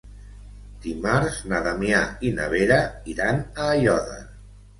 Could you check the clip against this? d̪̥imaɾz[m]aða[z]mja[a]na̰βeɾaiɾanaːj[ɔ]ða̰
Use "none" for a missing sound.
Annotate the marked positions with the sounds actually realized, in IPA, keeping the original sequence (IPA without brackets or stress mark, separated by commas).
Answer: n, none, i, ɔ